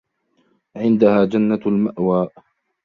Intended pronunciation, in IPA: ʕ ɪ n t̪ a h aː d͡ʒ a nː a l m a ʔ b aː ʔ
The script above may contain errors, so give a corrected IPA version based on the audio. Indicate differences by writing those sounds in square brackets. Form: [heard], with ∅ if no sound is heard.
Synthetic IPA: ʕ ɪ n [d̪] a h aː d͡ʒ a nː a l m a ʔ [w] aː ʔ